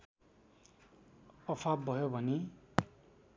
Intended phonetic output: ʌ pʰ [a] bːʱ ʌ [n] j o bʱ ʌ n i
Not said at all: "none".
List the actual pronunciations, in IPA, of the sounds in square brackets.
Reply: a, none

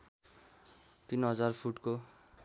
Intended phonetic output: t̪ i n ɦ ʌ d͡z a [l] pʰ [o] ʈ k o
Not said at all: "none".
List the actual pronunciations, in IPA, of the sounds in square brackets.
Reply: r, u

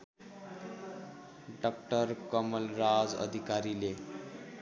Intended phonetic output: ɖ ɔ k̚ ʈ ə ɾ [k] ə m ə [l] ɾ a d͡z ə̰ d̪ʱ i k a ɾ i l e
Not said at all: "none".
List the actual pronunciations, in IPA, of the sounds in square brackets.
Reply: k, l

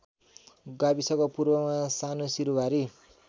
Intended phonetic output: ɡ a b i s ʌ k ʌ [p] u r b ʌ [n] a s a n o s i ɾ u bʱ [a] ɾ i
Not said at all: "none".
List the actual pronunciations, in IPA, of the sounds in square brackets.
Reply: p, m, a

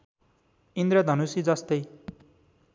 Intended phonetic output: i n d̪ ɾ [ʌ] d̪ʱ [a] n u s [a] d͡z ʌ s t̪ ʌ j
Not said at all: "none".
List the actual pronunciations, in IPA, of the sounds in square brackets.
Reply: ʌ, ʌ, i

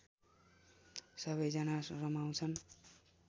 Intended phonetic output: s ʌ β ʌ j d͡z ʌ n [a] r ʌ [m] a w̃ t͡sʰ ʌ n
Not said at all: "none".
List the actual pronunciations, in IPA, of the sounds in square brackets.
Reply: a, m

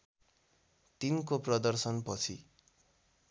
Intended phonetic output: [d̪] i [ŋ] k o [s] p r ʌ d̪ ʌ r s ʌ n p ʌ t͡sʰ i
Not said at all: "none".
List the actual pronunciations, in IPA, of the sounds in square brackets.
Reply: t̪, n, none

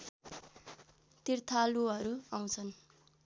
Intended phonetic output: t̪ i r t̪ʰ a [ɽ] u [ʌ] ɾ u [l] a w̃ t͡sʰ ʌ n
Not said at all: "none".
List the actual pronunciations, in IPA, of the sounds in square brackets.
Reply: l, ʌ, none

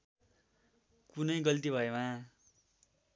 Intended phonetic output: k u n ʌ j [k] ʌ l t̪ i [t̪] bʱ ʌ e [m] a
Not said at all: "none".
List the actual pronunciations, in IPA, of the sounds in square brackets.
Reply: ɡ, none, m

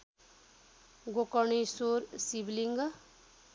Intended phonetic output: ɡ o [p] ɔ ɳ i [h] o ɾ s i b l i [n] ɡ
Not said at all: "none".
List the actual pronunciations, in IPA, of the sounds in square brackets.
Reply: k, s, ŋ

